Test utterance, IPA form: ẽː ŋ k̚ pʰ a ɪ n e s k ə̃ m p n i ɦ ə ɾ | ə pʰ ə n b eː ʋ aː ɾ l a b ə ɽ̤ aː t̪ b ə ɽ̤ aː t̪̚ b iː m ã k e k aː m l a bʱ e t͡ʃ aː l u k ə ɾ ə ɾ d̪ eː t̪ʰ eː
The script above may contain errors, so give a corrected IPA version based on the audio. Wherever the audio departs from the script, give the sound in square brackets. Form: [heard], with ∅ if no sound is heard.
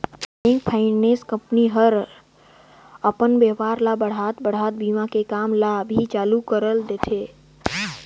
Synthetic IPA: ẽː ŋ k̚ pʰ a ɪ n e s k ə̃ m p n i ɦ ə ɾ | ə [p] ə n b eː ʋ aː ɾ l a b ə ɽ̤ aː t̪ b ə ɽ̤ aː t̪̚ b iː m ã k e k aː m l a bʱ [i] t͡ʃ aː l u k ə ɾ ə [l] d̪ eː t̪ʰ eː